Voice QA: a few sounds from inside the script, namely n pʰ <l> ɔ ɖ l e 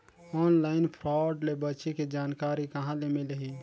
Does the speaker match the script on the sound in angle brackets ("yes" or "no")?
no